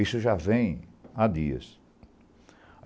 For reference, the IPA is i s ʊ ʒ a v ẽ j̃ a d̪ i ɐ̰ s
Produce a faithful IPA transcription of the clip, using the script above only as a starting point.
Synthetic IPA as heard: i s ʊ ʒ a v ẽ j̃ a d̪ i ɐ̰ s